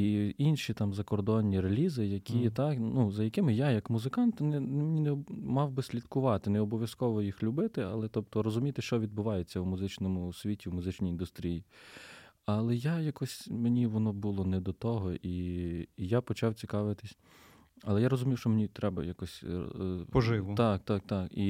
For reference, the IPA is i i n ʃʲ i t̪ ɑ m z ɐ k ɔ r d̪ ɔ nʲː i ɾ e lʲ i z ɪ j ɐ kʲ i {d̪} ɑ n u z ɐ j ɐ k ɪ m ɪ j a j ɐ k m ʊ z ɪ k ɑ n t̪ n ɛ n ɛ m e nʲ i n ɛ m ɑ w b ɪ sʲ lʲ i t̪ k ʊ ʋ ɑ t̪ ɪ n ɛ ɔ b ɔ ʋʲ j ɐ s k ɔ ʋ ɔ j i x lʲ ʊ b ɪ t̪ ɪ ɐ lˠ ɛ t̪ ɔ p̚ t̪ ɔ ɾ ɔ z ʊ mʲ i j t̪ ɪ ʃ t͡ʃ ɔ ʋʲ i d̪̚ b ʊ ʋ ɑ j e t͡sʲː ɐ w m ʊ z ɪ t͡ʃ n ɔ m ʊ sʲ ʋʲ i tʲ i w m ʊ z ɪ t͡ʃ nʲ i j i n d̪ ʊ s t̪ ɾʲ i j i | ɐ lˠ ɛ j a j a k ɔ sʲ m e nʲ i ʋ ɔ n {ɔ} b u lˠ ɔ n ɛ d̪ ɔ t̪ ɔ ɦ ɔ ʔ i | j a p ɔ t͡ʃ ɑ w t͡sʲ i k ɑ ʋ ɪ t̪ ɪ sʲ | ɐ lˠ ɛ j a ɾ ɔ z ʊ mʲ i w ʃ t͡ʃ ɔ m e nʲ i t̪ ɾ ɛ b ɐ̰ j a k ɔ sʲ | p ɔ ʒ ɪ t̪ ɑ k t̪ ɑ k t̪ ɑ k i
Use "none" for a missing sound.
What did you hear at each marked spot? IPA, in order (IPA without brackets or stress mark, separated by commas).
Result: t̪, ɔ